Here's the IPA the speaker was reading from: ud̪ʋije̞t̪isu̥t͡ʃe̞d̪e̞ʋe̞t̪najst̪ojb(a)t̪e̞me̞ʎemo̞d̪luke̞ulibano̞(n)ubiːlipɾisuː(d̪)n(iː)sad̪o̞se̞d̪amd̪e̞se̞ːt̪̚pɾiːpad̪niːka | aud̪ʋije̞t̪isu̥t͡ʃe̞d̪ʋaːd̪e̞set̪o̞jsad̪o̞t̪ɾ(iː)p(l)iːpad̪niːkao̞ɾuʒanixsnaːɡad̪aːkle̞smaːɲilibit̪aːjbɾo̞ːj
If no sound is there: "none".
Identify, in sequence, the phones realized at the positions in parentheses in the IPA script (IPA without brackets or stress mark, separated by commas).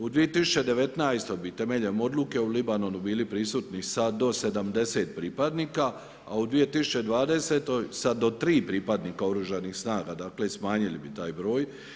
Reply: i, n, t̪, i, iː, ɾ